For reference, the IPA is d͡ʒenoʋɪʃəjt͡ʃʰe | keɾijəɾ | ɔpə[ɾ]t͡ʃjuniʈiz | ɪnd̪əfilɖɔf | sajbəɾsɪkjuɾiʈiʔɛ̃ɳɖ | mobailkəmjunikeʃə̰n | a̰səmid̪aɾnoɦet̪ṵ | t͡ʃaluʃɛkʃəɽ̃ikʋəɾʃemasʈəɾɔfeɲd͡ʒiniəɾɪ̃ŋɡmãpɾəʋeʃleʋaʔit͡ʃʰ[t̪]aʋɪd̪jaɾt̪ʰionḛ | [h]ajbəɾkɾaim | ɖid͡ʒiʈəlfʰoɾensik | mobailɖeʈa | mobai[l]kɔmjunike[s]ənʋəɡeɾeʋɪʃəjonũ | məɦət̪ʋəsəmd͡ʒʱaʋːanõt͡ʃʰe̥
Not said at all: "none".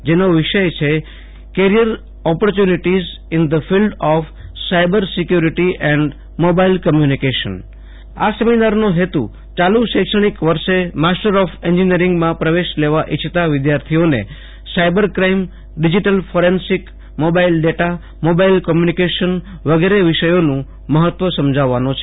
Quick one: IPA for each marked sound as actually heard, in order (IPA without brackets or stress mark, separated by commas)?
ɾ, t̪, s, l, ʃ